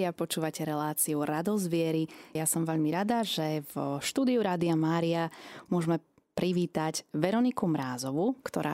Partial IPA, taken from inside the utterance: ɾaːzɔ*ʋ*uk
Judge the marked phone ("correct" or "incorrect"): correct